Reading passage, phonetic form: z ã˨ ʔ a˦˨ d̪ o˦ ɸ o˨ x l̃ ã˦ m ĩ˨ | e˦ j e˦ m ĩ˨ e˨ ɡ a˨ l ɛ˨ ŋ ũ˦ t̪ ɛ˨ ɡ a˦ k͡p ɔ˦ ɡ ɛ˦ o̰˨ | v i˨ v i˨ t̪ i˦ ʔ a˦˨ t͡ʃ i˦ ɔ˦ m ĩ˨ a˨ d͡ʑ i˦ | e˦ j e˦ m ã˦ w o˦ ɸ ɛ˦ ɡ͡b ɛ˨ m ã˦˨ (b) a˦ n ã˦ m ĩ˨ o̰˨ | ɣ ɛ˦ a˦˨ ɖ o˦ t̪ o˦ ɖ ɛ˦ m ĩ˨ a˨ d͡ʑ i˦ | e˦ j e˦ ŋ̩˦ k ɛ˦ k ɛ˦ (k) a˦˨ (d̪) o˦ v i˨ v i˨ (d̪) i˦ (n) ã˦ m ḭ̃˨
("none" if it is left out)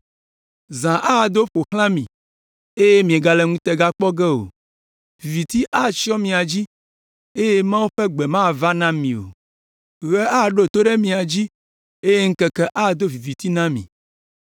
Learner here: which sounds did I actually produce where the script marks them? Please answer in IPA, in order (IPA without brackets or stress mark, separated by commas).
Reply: v, ʔ, d̪, t̪, n